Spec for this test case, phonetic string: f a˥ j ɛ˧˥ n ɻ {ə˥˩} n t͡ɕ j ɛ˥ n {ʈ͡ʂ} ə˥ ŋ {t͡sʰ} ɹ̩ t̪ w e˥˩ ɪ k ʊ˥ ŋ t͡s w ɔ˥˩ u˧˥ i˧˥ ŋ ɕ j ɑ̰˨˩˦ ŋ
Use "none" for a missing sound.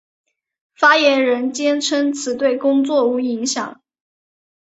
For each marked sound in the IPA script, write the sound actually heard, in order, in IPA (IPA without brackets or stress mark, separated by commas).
ə˧˥, ʈ͡ʂʰ, t͡sʰ